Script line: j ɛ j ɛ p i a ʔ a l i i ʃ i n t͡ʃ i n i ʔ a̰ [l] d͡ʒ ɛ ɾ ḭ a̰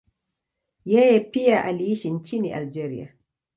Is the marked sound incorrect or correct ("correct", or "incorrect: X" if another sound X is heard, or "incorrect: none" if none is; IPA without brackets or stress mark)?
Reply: correct